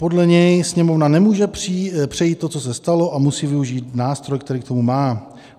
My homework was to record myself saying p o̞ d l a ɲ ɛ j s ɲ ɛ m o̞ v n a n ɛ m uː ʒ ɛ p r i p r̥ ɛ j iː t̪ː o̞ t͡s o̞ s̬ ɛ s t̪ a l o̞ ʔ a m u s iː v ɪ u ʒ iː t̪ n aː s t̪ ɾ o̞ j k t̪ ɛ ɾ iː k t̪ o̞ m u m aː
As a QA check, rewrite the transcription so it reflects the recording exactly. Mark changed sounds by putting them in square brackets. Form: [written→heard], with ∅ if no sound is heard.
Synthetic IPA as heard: p o̞ d l [a→ɛ] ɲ ɛ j s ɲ ɛ m o̞ v n a n ɛ m uː ʒ ɛ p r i p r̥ ɛ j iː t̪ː o̞ t͡s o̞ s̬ ɛ s t̪ a l o̞ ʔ a m u s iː v ɪ u ʒ iː t̪ n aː s t̪ ɾ o̞ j k t̪ ɛ ɾ iː k t̪ o̞ m u m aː